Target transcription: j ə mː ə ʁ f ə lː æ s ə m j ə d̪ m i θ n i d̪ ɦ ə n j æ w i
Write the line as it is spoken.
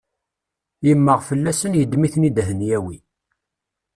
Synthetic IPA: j ə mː ə ʁ f ə lː æ s ə n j ə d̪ m i θ n i d̪ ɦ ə n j æ w i